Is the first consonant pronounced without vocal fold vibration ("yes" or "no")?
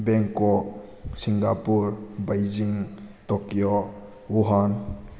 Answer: no